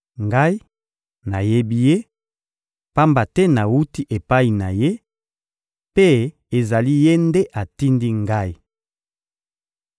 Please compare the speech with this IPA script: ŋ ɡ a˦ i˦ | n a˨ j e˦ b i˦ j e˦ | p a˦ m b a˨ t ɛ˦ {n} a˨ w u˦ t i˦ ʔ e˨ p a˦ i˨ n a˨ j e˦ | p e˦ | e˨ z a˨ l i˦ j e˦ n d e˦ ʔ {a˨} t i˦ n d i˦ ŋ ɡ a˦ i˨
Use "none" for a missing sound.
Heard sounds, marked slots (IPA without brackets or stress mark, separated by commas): n, a˨